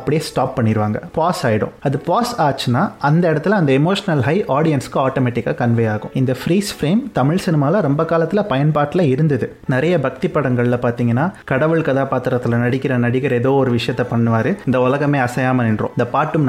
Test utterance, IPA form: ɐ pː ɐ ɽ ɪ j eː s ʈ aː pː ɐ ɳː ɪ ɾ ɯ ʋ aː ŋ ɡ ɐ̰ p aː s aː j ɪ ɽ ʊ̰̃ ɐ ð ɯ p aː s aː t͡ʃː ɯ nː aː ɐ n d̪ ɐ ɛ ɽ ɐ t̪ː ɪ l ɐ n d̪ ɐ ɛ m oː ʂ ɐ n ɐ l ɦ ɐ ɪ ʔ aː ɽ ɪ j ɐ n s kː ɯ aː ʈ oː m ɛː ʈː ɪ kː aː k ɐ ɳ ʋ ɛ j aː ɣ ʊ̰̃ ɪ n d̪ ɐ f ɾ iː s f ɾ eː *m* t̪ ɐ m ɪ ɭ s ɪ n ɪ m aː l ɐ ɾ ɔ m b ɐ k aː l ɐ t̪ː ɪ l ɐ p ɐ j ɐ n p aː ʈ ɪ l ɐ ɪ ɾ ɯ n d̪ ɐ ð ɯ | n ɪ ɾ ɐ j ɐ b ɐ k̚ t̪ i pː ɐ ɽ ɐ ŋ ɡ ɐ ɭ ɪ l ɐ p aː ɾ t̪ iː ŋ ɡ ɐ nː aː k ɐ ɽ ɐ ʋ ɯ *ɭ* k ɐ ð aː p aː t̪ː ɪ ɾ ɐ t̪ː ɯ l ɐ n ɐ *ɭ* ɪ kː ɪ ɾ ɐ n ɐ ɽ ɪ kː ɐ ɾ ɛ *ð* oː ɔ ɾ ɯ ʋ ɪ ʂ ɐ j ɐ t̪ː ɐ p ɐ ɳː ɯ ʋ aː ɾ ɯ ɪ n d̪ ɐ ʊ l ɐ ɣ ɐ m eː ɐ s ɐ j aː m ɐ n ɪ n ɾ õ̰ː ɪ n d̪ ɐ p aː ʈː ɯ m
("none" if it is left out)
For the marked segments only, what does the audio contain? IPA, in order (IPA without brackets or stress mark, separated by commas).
m, ɭ, ɽ, ð